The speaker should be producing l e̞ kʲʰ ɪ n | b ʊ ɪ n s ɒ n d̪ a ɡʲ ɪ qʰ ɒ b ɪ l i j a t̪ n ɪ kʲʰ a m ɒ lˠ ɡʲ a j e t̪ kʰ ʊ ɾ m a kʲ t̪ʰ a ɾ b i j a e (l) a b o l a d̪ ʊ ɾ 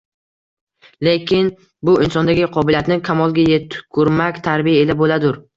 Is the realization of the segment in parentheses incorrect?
no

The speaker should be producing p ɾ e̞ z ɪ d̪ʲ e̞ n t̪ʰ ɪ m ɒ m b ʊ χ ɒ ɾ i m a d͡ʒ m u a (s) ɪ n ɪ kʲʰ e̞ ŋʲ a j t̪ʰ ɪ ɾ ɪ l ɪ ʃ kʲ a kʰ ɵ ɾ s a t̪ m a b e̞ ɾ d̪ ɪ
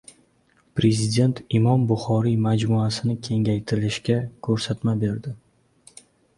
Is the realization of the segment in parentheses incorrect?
no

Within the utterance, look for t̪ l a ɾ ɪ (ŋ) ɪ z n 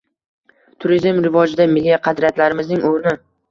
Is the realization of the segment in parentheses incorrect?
yes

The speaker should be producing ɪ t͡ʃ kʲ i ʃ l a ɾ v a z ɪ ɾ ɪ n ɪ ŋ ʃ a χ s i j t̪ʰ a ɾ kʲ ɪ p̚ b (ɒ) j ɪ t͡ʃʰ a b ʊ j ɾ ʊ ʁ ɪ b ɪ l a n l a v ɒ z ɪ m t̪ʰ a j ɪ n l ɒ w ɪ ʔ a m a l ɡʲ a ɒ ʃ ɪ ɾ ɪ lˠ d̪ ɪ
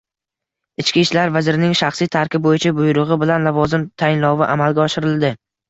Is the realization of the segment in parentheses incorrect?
yes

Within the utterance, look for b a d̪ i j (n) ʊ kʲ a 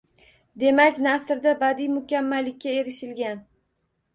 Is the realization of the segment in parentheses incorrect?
yes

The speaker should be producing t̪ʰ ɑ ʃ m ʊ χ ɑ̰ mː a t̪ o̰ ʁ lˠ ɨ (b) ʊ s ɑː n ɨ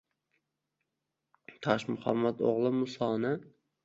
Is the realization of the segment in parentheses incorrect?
yes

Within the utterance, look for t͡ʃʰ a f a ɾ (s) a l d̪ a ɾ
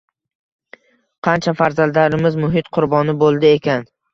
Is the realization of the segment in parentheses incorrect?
yes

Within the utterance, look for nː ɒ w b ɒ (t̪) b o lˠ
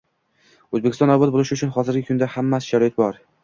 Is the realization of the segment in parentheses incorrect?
no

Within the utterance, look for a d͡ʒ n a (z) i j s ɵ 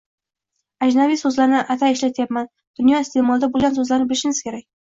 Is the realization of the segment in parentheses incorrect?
yes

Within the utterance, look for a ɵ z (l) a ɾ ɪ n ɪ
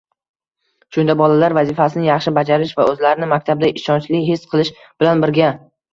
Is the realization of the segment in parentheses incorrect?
no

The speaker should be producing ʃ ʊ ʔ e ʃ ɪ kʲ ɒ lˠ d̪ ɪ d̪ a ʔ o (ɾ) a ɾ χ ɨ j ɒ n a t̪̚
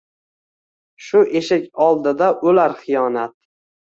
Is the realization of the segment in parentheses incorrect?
yes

